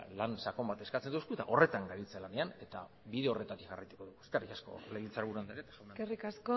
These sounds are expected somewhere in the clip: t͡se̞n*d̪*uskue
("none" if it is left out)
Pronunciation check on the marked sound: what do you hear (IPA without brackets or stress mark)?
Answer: d̪